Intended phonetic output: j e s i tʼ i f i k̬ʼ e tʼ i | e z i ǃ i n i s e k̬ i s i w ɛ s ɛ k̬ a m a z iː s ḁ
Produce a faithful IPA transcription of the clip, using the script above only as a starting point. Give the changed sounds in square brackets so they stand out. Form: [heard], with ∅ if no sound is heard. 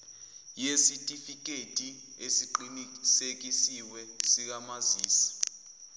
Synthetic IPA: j e s i tʼ i f i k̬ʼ e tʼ i | e [s] i ǃ i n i s e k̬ i s i w ɛ s [i] k̬ a m a z iː s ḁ